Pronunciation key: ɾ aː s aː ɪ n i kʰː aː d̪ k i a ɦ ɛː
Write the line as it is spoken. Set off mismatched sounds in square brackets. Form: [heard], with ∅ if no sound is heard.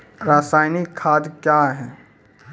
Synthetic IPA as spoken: ɾ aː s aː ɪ n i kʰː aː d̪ k [j] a ɦ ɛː